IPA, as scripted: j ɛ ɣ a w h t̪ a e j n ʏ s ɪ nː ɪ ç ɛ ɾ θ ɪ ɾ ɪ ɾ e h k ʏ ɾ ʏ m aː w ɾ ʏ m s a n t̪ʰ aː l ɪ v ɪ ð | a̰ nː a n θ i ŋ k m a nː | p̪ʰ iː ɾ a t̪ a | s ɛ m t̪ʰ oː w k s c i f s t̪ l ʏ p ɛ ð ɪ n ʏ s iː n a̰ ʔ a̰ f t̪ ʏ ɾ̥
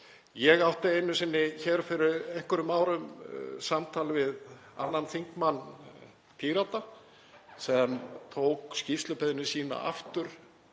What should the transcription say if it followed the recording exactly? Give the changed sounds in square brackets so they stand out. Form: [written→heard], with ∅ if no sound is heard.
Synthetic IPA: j ɛ ɣ a w h t̪ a e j n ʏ s ɪ nː ɪ ç ɛ ɾ [θ→f] ɪ ɾ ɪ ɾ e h k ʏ ɾ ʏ m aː w ɾ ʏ m s a [n→m] t̪ʰ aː l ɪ v ɪ ð | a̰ nː a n θ i ŋ k m a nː | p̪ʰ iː ɾ a t̪ a | s ɛ m t̪ʰ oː w k s c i f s t̪ l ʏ p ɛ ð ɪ n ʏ s iː n a̰ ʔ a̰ f t̪ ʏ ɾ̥